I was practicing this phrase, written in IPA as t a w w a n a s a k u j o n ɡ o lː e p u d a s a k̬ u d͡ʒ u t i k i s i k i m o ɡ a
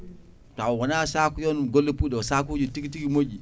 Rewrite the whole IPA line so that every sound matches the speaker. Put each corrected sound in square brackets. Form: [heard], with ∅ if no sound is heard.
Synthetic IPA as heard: t a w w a n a s a k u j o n ɡ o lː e p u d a s a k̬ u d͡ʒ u t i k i [t] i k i m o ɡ [i]